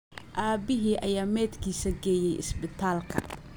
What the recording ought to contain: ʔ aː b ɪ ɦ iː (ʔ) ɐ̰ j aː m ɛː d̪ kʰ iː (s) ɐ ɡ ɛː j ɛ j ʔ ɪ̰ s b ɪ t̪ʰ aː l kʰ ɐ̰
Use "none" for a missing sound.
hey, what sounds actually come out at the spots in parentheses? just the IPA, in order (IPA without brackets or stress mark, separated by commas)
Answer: ʔ, s